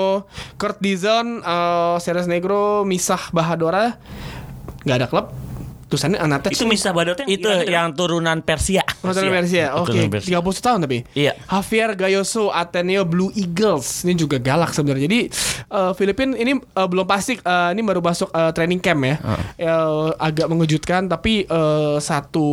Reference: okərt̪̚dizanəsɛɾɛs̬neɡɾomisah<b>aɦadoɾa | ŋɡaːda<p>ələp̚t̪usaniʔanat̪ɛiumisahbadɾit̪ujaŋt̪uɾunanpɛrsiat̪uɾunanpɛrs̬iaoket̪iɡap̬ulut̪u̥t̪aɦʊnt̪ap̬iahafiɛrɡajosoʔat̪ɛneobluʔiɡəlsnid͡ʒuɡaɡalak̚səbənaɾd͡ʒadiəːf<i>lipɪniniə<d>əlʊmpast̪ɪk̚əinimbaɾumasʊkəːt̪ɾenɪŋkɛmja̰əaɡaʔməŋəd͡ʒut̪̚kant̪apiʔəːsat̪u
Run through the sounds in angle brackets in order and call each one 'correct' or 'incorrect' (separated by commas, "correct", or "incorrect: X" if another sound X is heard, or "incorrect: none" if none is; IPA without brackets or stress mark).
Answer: correct, incorrect: k, correct, incorrect: b